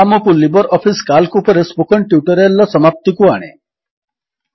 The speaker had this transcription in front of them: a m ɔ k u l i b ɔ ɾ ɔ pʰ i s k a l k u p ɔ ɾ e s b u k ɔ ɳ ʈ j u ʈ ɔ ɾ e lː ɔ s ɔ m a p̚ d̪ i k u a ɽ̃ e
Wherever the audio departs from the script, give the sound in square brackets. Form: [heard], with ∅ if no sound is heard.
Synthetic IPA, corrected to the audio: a m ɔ k u l i b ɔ ɾ ɔ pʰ i s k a l k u p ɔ ɾ e s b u k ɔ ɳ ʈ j u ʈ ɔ ɾ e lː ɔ s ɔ m a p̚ [t̪] i k u a ɽ̃ e